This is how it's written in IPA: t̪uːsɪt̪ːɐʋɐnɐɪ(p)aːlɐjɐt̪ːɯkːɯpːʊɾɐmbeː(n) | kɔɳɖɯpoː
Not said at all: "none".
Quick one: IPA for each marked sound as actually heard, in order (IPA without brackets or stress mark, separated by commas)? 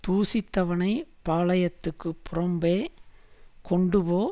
p, none